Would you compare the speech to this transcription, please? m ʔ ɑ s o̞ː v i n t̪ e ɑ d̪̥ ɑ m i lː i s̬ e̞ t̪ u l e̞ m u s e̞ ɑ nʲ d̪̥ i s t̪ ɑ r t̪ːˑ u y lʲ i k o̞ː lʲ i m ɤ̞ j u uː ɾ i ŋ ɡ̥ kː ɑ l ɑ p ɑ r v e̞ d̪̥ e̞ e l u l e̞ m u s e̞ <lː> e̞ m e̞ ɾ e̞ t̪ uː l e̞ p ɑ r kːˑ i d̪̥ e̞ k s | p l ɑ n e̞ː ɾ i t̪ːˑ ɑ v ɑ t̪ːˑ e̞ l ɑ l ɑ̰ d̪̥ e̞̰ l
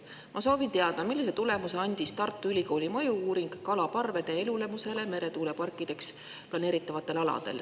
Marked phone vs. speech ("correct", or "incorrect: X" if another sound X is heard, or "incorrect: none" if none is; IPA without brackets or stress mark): incorrect: l